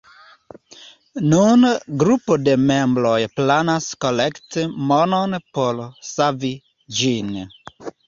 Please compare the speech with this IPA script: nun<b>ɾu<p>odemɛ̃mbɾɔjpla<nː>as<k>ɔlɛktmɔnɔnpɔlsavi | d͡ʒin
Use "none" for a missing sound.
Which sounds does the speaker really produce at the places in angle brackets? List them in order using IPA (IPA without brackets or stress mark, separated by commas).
ɡ, p, n, k